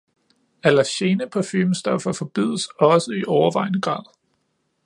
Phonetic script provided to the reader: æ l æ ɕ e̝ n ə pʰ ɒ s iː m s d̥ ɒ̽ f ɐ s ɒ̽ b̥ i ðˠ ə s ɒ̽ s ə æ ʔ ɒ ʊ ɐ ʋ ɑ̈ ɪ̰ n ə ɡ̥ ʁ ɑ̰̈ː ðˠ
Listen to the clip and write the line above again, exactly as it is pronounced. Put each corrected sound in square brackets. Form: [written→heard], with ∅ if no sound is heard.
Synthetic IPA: æ l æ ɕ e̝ n ə pʰ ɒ [s→f] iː m s d̥ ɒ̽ f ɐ [s→f] ɒ̽ b̥ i ðˠ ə s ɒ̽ s ə [æ→i] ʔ ɒ ʊ ɐ ʋ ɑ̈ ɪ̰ n ə ɡ̥ ʁ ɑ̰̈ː ðˠ